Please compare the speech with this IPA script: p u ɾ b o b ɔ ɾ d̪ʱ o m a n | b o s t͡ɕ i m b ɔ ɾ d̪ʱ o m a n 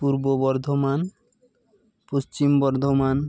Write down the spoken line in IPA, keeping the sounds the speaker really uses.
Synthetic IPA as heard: p u ɾ b o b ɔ ɾ d̪ʱ o m a n | p o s t͡ɕ i m b ɔ ɾ d̪ʱ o m a n